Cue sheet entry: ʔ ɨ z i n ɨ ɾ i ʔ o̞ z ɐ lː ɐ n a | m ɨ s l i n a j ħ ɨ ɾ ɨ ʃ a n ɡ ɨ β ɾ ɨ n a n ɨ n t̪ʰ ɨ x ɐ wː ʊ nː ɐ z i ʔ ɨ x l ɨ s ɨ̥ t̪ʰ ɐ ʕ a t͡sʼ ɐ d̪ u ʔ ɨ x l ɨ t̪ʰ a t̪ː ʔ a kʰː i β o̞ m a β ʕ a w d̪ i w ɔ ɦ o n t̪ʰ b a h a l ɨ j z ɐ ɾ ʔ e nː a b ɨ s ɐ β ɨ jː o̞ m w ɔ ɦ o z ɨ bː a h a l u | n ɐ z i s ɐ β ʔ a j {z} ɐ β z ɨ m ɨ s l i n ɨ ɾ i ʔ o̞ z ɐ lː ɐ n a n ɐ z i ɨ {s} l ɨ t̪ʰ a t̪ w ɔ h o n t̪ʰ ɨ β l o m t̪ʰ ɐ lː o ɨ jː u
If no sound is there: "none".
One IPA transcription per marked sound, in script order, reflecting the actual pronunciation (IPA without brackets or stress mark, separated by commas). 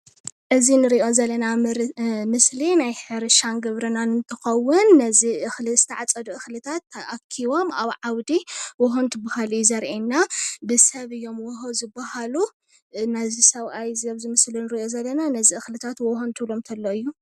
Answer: z, x